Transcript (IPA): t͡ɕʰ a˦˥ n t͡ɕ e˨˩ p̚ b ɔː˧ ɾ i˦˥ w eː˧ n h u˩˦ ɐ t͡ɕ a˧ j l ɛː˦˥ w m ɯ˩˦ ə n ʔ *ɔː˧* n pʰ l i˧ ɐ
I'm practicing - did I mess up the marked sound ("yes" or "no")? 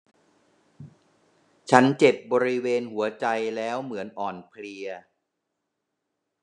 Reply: yes